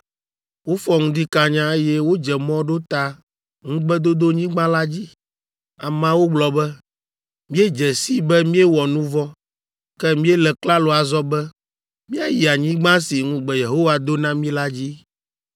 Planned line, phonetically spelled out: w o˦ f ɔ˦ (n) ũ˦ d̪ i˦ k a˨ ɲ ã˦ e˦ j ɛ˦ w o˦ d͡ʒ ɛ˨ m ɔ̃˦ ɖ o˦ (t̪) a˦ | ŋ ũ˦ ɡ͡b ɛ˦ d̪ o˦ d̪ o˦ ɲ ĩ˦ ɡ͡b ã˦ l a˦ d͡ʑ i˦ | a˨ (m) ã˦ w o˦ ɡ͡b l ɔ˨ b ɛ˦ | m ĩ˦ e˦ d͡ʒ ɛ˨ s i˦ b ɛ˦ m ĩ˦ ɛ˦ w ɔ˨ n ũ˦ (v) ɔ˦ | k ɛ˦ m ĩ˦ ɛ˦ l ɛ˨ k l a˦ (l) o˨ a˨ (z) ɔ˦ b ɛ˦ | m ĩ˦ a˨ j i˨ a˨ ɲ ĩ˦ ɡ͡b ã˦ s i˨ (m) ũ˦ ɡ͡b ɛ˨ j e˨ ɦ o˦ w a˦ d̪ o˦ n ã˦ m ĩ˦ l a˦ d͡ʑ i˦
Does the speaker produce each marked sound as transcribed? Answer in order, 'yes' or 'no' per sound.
no, yes, yes, yes, yes, yes, no

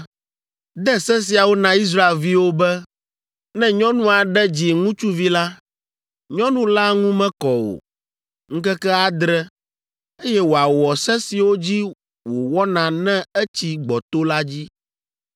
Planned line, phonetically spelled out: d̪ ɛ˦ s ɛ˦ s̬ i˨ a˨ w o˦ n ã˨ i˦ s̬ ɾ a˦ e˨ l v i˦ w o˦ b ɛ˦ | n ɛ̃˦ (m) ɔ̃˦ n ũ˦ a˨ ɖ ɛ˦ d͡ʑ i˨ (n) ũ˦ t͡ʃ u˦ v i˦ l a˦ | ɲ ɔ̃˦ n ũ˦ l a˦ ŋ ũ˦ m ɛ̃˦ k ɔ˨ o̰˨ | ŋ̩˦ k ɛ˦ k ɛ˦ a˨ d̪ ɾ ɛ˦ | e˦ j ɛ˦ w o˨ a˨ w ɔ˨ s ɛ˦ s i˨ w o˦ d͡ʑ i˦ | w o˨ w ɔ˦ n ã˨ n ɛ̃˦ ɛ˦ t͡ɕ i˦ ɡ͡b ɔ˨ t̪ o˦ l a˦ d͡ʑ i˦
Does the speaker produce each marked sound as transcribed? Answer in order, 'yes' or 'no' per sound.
no, no

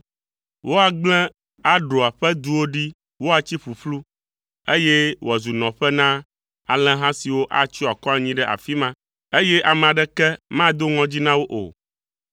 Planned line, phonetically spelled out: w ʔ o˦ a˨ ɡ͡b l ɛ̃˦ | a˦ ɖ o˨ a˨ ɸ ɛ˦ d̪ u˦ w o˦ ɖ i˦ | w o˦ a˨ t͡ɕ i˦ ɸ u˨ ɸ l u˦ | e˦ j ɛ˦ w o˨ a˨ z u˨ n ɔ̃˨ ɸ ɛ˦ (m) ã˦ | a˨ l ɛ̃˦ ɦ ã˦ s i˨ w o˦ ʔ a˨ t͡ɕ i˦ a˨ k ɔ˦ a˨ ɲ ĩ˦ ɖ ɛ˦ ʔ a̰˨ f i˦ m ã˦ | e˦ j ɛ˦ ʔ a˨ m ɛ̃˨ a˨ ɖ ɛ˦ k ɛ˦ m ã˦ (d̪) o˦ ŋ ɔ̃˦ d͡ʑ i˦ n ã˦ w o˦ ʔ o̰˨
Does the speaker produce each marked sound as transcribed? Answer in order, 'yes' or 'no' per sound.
no, yes

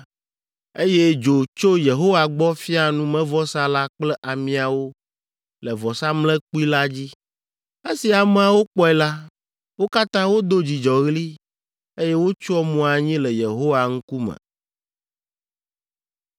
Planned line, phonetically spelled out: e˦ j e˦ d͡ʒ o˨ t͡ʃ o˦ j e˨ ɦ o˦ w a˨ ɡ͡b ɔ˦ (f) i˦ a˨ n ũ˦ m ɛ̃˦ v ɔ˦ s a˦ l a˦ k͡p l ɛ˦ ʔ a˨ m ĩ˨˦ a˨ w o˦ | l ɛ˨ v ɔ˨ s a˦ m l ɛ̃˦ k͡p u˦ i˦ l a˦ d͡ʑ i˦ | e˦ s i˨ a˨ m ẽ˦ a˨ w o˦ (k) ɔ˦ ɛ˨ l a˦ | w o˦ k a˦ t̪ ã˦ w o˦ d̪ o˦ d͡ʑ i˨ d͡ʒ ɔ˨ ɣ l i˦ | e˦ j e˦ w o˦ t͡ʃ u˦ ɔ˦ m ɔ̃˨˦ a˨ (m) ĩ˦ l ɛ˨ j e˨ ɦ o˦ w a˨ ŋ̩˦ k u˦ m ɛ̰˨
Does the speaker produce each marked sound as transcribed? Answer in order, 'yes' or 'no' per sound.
yes, no, no

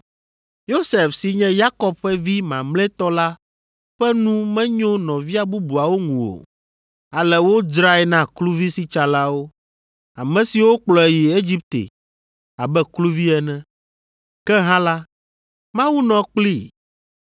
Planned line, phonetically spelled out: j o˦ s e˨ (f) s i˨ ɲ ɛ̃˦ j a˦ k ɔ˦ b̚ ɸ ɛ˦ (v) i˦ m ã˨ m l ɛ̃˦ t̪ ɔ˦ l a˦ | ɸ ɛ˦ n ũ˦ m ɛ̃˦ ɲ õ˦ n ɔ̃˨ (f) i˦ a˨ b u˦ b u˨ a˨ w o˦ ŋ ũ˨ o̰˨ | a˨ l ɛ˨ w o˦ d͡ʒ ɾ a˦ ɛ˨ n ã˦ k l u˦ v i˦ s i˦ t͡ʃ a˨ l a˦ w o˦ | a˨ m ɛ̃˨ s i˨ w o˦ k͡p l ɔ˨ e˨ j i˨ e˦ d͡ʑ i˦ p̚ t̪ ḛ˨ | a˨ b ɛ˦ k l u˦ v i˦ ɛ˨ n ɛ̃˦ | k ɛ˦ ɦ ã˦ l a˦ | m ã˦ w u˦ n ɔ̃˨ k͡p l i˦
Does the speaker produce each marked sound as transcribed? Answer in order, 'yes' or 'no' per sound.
yes, yes, no

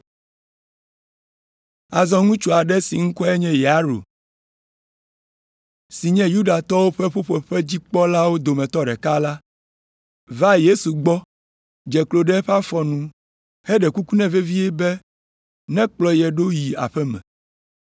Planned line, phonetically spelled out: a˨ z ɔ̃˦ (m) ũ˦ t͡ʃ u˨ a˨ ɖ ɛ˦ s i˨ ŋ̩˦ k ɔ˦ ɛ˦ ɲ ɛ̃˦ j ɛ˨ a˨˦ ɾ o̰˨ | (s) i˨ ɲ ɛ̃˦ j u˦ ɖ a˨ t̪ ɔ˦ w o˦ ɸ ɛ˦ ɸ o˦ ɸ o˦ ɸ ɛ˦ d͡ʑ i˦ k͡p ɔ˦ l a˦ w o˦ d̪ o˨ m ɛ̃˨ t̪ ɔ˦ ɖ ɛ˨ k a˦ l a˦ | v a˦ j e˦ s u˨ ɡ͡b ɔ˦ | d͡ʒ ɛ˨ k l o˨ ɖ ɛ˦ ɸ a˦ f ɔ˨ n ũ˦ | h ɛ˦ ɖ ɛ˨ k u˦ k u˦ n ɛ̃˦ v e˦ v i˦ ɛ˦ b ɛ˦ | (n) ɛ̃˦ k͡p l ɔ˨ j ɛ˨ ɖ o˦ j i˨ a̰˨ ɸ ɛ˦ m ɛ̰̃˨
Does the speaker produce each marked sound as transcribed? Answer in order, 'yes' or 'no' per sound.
no, yes, yes

